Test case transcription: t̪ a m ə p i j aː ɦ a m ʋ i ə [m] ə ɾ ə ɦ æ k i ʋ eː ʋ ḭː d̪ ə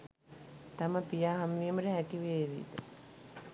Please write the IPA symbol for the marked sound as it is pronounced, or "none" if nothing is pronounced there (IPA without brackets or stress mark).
m